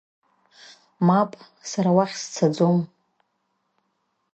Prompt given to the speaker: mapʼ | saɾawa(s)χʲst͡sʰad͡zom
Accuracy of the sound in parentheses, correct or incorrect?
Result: incorrect